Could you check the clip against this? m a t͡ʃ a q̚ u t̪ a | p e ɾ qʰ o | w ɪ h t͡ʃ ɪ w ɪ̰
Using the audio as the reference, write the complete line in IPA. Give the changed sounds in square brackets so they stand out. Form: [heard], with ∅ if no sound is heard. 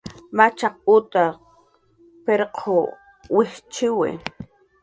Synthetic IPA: m a t͡ʃ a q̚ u t̪ a | p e ɾ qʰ o | w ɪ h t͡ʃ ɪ w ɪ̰